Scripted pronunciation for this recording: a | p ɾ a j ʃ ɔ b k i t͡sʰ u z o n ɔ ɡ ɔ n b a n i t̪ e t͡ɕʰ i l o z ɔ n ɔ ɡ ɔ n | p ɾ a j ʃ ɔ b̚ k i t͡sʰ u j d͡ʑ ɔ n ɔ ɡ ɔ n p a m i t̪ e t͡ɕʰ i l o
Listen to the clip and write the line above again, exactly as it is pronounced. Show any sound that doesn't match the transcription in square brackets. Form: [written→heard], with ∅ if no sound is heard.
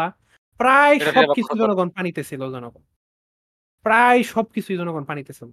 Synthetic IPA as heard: a | p ɾ a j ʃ ɔ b k i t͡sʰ u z [o→ɔ] n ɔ ɡ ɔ n [b→p] a n i t̪ e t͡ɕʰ i l o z ɔ n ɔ ɡ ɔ n | p ɾ a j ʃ ɔ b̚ k i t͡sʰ u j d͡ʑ ɔ n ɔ ɡ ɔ n p a [m→n] i t̪ e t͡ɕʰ i l o